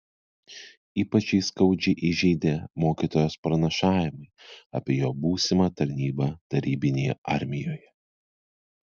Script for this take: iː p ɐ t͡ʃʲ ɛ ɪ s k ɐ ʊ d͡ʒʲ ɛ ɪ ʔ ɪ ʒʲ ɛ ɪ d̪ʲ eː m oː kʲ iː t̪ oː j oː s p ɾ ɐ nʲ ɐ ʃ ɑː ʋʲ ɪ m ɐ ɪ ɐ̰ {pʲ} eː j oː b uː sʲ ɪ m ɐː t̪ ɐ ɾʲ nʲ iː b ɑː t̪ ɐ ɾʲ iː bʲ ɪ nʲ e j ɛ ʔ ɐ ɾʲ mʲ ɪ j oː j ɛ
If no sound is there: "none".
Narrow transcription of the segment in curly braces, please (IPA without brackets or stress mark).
pʲ